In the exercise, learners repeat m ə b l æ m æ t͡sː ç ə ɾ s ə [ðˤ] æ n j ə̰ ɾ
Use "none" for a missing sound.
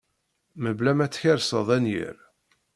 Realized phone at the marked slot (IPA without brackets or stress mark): ðˤ